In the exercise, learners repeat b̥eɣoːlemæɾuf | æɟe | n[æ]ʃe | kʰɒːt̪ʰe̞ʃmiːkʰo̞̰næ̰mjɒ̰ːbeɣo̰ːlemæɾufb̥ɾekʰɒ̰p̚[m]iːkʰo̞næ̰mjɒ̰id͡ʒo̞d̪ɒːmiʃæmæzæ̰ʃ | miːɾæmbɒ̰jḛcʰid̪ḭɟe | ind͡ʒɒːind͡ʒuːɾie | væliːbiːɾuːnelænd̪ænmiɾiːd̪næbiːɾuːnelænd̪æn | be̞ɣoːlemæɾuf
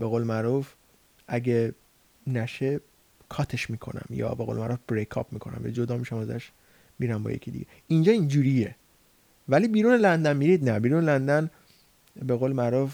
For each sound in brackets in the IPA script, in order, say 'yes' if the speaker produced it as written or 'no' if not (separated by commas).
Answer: yes, yes